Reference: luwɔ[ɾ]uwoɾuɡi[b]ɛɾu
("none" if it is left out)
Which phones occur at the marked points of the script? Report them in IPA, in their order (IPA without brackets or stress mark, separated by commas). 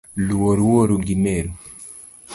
ɾ, m